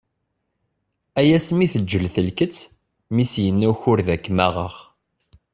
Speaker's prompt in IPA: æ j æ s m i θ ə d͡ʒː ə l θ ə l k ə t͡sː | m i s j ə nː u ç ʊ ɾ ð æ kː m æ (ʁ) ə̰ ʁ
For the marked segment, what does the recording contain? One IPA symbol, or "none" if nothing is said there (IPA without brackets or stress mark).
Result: ʁ